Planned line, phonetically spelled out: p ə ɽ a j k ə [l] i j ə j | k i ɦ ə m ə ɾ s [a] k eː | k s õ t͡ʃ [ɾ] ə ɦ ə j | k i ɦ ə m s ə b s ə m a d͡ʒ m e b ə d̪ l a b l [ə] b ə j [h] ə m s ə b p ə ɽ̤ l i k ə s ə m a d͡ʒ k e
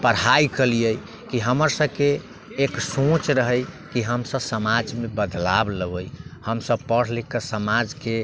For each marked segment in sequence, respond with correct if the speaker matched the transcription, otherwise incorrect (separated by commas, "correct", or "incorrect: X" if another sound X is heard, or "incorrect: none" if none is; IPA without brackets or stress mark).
correct, incorrect: ə, correct, correct, correct